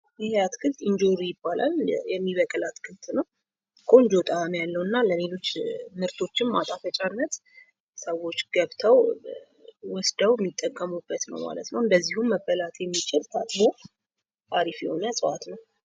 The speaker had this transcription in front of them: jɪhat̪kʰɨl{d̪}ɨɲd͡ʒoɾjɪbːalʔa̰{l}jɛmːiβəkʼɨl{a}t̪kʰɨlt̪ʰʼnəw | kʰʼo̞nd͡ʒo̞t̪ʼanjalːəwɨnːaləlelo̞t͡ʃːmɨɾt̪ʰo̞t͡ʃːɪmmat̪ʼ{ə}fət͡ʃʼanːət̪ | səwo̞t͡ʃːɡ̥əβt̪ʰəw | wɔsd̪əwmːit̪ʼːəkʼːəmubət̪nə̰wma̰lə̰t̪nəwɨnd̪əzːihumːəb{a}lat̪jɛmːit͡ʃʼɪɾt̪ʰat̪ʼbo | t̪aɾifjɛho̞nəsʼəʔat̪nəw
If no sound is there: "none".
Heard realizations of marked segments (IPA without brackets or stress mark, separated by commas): t̪, l, a, a, ə